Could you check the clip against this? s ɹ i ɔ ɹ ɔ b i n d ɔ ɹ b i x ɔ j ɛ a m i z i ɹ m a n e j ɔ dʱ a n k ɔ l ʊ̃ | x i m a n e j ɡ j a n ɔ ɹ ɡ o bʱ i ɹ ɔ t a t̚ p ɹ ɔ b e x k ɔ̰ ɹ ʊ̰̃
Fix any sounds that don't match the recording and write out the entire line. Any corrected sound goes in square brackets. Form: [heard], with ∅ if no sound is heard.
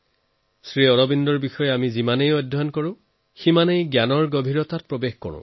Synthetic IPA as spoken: s ɹ i ɔ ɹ ɔ b i n d ɔ ɹ b i x ɔ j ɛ a m i z i [∅] m a n e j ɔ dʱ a n k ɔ [ɹ] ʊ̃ | x i m a n e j ɡ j a n ɔ ɹ ɡ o bʱ i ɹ ɔ t a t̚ p ɹ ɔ b e x k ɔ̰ ɹ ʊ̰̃

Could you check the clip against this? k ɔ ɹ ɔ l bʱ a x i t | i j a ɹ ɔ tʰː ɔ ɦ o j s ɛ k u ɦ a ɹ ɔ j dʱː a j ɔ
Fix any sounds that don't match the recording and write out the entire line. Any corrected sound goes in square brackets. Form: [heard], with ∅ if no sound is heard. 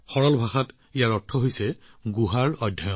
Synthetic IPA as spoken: [x] ɔ ɹ ɔ l bʱ a x [a] t | i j a ɹ ɔ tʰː ɔ ɦ o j s ɛ [ɡ] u ɦ a ɹ ɔ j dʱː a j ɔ

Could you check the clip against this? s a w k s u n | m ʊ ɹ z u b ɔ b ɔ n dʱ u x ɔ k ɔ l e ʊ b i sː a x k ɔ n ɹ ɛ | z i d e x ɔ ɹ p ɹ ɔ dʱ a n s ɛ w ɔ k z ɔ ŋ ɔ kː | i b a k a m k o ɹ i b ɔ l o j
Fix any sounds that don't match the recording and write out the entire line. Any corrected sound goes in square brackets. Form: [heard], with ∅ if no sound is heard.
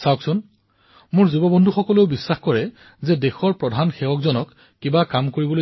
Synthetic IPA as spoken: s a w k s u n | m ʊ ɹ z u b ɔ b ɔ n dʱ u x ɔ k ɔ l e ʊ b i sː a x k ɔ [∅] ɹ ɛ | z [ɛ] d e x ɔ ɹ p ɹ ɔ dʱ a n [x] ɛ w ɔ k z ɔ [n] ɔ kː | i b a k a m k o ɹ i b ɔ l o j

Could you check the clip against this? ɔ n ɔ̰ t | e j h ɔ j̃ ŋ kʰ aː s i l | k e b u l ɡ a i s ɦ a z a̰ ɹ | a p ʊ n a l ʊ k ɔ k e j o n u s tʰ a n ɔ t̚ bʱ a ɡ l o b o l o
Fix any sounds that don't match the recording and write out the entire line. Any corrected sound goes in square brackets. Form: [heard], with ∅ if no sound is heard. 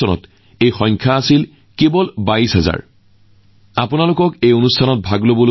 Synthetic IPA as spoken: ɔ n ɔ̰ t | e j [x] ɔ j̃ ŋ kʰ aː s i l | k e b [ɔ] l [b] a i s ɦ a z a̰ ɹ | a p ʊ n a l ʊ k ɔ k e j o n u s tʰ a n ɔ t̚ bʱ a ɡ l o b o l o

